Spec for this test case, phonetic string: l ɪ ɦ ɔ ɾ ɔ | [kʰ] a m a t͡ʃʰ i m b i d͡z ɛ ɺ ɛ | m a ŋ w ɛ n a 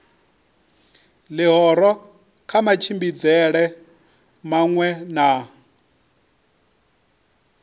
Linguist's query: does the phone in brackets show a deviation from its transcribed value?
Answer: no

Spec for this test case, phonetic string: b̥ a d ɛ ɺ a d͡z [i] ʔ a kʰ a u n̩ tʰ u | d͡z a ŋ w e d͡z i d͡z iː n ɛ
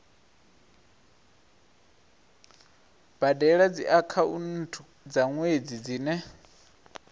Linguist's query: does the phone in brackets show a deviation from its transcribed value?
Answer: no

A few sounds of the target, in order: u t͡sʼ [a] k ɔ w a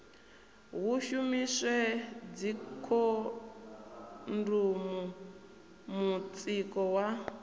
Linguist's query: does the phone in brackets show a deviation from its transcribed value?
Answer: yes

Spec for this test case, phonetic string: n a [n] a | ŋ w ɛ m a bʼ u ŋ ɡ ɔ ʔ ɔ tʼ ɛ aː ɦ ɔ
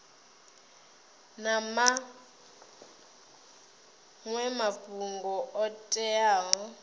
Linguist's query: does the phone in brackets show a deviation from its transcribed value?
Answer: yes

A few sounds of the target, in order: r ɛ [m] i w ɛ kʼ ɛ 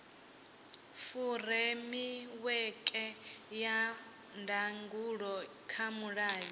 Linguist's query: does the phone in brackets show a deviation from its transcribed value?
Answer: no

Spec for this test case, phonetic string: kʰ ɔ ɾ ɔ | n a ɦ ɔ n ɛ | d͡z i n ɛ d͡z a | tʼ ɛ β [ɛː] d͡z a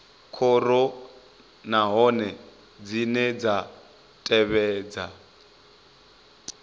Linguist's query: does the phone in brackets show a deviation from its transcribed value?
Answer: no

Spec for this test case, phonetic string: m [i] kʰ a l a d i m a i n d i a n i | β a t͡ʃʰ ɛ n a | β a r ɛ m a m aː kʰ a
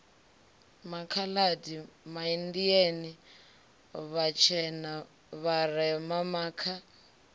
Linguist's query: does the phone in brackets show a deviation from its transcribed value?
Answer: yes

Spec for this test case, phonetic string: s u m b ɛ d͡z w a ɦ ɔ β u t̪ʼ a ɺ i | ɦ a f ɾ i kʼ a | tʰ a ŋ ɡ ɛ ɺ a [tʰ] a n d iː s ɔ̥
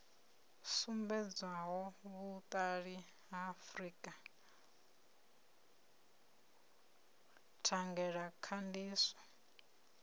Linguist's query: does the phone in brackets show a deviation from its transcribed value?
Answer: yes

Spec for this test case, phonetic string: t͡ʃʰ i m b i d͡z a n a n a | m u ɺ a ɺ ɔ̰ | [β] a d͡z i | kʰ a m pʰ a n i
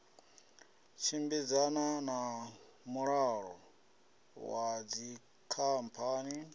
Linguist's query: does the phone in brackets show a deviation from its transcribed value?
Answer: yes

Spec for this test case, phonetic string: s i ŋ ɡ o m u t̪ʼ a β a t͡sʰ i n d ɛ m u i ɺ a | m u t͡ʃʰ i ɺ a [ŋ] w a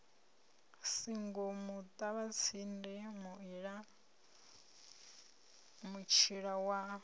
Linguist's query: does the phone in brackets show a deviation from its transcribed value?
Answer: yes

